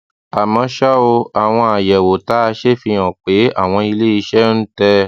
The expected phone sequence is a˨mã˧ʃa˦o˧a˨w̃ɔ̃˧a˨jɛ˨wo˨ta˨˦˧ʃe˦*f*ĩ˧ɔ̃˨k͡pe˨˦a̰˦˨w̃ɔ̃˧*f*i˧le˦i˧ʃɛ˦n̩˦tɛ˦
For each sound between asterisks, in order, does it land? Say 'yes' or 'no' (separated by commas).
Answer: yes, no